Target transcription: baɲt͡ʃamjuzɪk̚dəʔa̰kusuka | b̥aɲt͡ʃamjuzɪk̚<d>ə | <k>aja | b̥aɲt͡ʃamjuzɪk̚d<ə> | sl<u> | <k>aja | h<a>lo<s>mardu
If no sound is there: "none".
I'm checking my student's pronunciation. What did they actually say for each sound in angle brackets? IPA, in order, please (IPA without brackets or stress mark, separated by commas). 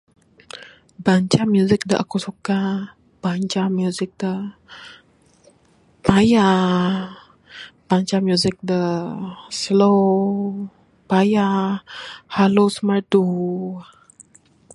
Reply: d, p, ə, o, p, a, s